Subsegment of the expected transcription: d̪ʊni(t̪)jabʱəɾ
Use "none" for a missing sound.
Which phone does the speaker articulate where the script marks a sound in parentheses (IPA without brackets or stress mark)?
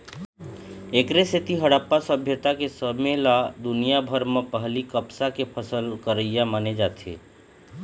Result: none